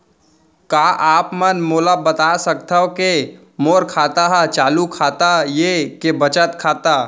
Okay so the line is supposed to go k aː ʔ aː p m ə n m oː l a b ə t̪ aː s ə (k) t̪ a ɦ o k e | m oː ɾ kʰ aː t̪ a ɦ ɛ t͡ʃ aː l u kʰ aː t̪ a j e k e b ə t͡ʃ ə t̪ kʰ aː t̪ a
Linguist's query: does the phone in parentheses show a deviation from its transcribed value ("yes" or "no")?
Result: no